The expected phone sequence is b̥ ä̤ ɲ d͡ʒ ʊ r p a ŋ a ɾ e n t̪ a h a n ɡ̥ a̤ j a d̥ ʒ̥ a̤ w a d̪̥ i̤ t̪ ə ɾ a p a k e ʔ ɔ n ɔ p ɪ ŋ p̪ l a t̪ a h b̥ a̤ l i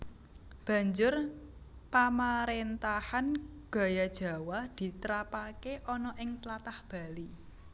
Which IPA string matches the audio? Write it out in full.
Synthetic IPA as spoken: b̥ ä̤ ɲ d͡ʒ ʊ r p a m a ɾ e n t̪ a h a n ɡ̥ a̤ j a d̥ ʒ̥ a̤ w a d̪̥ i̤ t̪ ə ɾ a p a k e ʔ ɔ n ɔ ʔ ɪ ŋ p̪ l a t̪ a h b̥ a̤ l i